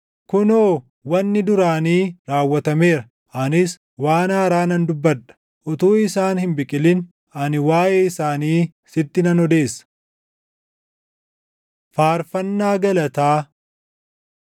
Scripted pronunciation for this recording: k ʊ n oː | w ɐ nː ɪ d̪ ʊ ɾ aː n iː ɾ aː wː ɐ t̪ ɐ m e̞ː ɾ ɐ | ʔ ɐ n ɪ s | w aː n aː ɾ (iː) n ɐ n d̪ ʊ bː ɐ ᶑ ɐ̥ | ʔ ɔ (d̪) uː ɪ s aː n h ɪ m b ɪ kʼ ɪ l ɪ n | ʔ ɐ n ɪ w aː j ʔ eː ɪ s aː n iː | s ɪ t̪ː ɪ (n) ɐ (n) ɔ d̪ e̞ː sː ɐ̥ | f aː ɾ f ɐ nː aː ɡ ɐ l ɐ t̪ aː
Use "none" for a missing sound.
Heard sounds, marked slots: aː, t̪, n, n

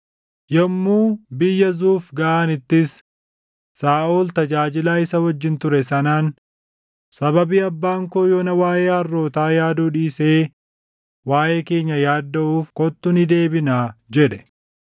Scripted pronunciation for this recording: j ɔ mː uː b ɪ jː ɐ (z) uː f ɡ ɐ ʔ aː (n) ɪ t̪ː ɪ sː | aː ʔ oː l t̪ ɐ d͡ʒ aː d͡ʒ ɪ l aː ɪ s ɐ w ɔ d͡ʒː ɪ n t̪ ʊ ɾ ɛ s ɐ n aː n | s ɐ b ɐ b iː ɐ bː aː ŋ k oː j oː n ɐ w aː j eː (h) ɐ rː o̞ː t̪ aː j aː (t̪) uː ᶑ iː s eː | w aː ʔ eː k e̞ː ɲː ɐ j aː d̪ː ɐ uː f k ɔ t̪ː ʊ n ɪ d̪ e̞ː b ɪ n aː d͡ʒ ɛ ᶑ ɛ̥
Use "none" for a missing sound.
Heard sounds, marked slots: z, n, h, d̪

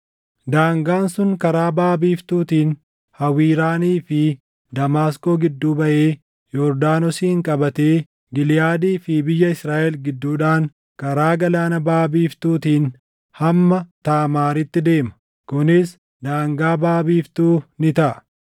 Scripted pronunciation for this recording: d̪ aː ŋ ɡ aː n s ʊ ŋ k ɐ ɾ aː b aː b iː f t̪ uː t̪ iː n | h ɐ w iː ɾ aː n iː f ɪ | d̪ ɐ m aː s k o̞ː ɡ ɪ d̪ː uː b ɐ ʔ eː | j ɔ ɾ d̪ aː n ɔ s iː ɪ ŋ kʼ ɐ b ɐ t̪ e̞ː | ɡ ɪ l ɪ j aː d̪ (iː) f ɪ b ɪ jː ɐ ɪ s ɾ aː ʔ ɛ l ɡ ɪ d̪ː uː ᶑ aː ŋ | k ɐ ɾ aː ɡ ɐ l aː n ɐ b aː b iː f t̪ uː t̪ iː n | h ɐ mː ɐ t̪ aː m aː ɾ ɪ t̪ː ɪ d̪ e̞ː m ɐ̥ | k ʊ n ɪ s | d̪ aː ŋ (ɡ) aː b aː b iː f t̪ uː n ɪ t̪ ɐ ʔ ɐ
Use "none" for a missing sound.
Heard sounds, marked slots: iː, ɡ

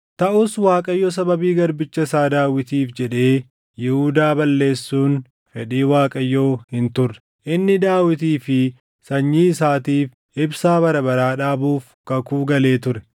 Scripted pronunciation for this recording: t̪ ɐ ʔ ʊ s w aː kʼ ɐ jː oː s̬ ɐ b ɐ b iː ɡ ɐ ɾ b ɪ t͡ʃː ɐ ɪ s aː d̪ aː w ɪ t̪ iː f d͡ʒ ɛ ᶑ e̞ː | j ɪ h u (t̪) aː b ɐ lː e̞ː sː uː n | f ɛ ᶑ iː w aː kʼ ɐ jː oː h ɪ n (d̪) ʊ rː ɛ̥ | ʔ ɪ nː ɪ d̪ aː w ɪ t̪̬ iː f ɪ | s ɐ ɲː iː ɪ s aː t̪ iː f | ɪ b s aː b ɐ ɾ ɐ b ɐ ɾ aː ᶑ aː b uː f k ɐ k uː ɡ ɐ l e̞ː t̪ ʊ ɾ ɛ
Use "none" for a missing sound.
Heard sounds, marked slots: d̪, t̪

